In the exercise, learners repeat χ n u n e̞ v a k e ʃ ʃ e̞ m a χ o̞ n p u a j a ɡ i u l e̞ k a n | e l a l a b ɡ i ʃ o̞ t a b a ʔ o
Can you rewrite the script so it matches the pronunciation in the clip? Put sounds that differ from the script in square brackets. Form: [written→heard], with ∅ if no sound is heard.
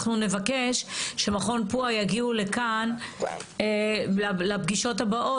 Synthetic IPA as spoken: χ n u n e̞ v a k e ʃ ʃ e̞ m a χ o̞ n p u a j a ɡ i u l e̞ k a n | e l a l a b ɡ i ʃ o̞ t a b a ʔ o